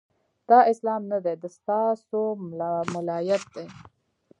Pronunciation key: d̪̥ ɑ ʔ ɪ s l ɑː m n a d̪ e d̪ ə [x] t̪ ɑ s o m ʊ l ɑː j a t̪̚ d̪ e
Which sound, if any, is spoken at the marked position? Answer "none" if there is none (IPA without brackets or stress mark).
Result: s